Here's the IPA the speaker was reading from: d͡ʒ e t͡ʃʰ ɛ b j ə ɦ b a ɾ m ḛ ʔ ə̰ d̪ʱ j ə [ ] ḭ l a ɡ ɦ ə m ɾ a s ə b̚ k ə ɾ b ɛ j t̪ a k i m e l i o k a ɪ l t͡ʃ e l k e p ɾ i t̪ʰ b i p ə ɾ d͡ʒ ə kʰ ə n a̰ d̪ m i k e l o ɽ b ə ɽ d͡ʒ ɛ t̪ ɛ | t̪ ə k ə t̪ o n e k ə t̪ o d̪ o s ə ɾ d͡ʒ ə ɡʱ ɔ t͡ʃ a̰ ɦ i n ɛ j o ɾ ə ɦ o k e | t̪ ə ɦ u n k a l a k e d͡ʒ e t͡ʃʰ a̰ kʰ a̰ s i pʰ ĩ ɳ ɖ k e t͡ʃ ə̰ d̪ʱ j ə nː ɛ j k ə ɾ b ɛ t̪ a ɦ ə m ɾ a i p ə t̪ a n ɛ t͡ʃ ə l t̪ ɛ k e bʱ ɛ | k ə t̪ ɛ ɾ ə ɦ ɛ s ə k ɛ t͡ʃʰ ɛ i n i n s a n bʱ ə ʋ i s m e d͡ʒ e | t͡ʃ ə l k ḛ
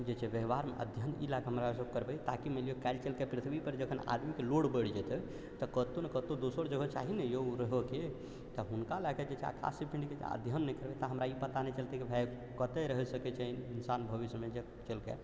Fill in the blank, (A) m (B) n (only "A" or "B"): B